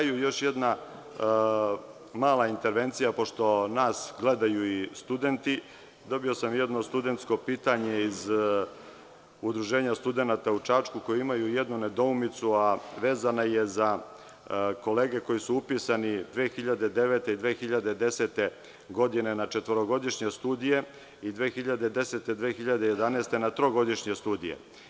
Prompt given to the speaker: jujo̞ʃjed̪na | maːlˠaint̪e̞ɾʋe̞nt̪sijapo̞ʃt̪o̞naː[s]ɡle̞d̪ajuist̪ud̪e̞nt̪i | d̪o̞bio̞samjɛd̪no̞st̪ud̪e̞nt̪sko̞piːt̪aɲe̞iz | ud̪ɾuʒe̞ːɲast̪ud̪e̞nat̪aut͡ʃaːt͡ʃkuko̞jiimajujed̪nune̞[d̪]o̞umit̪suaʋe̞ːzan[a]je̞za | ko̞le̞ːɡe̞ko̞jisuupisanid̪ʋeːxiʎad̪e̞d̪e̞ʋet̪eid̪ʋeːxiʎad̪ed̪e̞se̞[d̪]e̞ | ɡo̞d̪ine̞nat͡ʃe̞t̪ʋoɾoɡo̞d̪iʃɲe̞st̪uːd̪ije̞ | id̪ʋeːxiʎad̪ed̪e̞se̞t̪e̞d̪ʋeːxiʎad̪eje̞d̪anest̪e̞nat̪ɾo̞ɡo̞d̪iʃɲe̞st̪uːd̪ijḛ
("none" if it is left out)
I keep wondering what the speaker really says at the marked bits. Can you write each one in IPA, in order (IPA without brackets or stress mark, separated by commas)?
s, d̪, a, t̪